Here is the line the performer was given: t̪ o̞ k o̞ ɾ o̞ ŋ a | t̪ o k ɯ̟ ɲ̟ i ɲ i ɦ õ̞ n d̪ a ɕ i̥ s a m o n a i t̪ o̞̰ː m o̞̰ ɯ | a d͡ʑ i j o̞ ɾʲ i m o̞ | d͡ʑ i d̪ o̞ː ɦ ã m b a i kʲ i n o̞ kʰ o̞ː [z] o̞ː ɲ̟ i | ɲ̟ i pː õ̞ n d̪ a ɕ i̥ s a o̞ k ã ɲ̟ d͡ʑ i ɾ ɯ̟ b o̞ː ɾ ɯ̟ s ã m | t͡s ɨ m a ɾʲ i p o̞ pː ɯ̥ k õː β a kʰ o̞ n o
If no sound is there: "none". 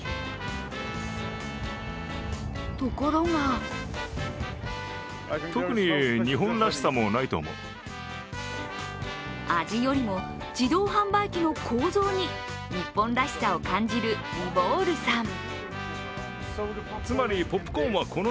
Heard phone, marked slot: z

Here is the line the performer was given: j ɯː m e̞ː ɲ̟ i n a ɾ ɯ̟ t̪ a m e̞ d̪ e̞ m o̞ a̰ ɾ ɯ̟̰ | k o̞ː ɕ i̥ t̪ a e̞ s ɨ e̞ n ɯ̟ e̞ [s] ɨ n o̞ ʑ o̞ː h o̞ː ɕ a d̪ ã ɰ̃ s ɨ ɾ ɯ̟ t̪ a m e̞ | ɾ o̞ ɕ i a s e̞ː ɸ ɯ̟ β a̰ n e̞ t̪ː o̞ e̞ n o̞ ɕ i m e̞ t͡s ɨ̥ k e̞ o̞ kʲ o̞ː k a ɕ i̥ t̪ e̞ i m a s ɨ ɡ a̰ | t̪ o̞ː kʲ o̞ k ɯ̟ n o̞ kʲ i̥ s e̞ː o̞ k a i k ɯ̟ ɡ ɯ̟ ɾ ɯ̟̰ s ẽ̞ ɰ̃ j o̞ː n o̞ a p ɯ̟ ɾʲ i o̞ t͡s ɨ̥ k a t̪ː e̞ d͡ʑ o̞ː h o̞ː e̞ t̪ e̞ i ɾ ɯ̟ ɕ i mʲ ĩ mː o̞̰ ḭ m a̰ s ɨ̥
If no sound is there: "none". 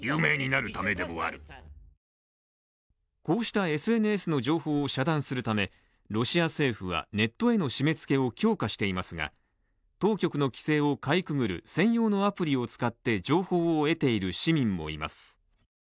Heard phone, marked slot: s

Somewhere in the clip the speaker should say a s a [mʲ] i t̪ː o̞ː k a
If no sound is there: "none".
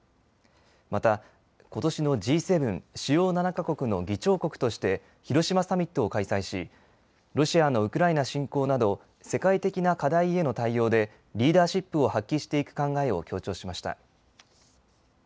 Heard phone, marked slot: mʲ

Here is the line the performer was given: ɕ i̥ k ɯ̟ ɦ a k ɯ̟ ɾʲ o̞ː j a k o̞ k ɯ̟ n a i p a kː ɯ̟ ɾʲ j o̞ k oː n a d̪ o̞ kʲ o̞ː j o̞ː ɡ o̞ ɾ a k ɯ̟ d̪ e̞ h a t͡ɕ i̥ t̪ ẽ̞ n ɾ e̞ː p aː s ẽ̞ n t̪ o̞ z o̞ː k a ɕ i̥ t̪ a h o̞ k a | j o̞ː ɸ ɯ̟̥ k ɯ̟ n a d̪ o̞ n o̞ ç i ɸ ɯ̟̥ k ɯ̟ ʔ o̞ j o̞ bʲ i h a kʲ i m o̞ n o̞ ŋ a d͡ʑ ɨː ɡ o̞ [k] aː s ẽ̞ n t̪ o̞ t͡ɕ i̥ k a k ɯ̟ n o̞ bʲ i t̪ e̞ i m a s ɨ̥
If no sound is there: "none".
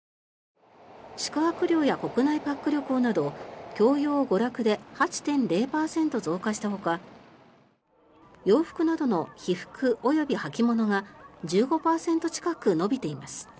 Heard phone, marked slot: p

